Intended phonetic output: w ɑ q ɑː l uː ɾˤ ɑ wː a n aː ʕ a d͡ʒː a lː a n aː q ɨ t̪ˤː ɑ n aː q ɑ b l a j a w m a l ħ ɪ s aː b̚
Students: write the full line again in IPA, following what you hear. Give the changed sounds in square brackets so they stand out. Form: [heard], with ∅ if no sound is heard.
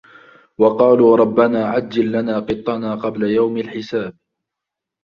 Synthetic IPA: w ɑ q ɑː l uː ɾˤ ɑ [bː] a n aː ʕ a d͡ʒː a lː a n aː q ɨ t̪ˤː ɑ n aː q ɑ b l a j a w m a l ħ ɪ s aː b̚